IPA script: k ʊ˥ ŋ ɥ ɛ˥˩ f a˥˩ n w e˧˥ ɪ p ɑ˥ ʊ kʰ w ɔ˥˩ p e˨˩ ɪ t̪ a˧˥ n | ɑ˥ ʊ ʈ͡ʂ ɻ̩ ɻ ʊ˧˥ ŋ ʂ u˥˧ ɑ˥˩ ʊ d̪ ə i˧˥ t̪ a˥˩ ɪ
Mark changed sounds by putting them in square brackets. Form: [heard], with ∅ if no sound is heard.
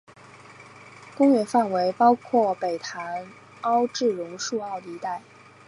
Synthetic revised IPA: k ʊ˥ ŋ ɥ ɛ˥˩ f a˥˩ n w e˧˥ ɪ p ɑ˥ ʊ kʰ w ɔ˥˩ p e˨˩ ɪ [t̪ʰ] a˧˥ n | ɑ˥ ʊ ʈ͡ʂ ɻ̩ ɻ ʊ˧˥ ŋ ʂ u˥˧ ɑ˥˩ ʊ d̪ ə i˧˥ t̪ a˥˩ ɪ